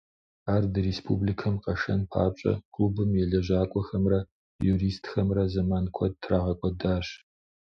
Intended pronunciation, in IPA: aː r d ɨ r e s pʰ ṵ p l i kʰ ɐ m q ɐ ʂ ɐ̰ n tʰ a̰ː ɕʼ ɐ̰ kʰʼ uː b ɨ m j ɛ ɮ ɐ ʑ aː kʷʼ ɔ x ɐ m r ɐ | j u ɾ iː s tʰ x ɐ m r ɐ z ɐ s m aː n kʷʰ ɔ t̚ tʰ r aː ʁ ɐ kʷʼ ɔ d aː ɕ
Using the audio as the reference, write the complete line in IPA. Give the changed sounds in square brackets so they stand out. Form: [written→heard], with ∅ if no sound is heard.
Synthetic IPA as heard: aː r d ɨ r e s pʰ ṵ [p→b] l i kʰ ɐ m q ɐ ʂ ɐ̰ n [tʰ→pʰ] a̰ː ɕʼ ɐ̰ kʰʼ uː b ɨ m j ɛ ɮ ɐ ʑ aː kʷʼ ɔ x ɐ m r ɐ | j u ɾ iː s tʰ x ɐ m r ɐ z ɐ [s→∅] m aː n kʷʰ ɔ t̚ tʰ r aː ʁ ɐ kʷʼ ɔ d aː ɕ